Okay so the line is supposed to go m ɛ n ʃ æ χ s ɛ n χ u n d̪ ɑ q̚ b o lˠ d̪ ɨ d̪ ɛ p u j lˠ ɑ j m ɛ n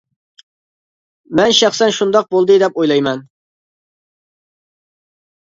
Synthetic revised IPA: m ɛ n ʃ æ χ s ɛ n ʃ u n d̪ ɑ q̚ b o lˠ d̪ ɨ d̪ ɛ p o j lˠ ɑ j m ɛ n